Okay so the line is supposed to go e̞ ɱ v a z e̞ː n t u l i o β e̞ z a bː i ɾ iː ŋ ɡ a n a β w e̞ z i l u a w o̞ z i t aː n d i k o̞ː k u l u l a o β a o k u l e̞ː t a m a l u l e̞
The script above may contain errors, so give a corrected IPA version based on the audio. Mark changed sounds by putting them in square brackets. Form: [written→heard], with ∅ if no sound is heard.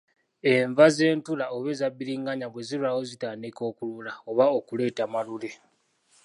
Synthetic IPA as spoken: e̞ ɱ v a z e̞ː n t u l [i→a] o β e̞ z a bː i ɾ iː ŋ ɡ a [n→ɲ] a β w e̞ z i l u a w o̞ z i t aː n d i k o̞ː k u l u l a o β a o k u l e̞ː t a m a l u l e̞